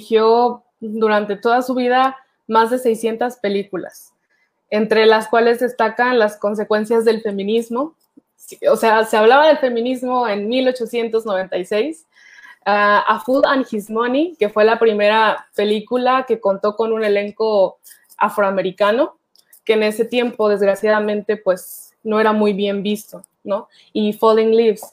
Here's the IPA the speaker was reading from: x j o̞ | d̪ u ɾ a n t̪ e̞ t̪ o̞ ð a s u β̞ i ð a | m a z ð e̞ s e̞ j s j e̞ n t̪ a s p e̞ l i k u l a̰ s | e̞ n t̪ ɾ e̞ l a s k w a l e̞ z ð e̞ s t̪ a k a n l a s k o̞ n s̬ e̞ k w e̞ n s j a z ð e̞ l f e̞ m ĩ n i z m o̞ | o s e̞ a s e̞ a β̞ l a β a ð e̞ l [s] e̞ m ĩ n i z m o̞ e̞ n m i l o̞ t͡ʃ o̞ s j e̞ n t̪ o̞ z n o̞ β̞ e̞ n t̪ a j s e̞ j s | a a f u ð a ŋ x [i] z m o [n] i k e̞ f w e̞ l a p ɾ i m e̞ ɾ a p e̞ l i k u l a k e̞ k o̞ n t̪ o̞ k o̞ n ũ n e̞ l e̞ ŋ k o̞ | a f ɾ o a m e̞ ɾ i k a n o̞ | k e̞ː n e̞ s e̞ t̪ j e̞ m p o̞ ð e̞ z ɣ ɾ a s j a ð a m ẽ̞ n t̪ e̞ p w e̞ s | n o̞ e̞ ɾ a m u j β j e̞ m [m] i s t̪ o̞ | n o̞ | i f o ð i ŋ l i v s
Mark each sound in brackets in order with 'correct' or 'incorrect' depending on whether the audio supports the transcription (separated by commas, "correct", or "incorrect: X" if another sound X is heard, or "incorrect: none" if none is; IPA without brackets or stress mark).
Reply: incorrect: f, correct, correct, incorrect: b